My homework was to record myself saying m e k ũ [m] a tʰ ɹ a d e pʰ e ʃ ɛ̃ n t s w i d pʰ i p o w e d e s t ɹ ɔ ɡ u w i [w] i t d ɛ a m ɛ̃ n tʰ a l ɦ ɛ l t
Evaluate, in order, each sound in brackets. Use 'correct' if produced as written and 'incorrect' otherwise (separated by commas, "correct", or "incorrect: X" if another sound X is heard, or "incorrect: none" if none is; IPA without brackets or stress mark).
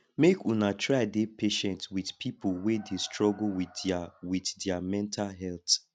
incorrect: n, correct